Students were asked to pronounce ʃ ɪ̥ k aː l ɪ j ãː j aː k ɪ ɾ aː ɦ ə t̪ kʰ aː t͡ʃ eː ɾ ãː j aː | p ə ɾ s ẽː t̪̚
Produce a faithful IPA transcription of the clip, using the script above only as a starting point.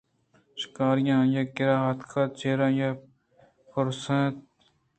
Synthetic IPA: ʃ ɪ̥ k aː ɾ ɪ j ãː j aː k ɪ ɾ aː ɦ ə t̪ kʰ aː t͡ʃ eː ɾ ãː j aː | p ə ɾ s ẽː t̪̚